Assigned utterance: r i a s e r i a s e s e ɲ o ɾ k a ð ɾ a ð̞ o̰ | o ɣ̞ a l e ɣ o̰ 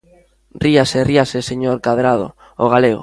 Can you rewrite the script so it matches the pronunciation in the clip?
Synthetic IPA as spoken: r i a s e r i a s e s e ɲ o ɾ k a ð ɾ a ð̞ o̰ | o ɣ̞ a l e ɣ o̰